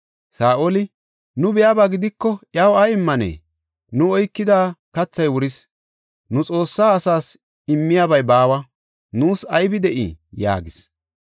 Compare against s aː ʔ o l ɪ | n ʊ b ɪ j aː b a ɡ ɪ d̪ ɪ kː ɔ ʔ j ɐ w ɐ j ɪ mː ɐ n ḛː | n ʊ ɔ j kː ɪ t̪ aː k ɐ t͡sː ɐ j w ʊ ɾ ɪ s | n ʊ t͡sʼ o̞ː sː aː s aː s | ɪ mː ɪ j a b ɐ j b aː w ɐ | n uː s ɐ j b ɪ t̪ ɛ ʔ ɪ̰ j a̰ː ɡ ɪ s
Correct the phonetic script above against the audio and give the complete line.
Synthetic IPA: s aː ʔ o l ɪ | n ʊ b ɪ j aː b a ɡ ɪ d̪ ɪ kː ɔ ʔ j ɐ w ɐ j ɪ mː ɐ n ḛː | n ʊ ɔ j kː ɪ d̪ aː k ɐ t͡sː ɐ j w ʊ ɾ ɪ s | n ʊ t͡sʼ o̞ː sː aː s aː s | ɪ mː ɪ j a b ɐ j b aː w ɐ | n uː s ɐ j b ɪ d̪ ɛ ʔ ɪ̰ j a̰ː ɡ ɪ s